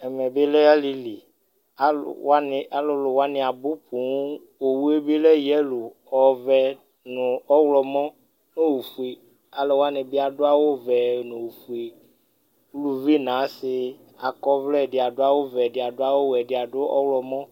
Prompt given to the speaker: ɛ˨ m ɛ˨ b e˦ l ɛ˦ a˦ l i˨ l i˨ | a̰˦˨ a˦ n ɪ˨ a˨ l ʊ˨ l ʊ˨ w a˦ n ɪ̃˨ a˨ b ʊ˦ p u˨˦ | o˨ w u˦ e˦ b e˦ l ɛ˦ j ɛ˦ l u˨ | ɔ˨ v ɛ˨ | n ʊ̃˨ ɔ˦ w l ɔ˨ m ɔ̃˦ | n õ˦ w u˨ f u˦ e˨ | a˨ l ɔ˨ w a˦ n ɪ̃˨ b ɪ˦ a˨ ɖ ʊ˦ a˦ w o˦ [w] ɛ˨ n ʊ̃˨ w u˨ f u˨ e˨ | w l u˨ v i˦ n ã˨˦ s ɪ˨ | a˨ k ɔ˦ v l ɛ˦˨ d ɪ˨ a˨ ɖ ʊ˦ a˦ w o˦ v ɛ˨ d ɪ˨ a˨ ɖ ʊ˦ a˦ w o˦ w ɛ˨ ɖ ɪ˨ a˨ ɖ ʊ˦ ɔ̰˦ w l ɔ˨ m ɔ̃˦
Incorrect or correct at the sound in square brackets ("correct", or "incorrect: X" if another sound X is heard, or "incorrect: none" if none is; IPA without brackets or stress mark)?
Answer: incorrect: v